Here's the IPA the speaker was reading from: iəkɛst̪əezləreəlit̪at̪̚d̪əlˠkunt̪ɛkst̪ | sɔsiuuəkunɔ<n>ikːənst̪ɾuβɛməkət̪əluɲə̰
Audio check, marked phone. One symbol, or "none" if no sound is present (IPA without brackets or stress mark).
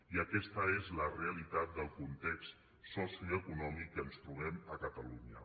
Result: m